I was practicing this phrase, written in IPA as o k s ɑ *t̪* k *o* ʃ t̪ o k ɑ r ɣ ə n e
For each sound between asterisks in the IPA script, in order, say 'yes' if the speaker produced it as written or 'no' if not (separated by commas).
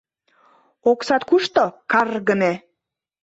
yes, no